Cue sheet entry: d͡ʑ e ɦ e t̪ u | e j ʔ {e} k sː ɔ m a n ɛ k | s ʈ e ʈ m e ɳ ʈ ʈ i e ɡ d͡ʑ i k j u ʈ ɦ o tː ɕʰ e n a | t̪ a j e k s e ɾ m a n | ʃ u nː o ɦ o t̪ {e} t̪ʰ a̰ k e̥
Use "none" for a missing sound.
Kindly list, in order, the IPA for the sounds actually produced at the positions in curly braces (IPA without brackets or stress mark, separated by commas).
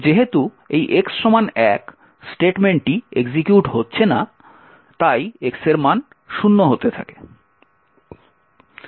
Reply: e, e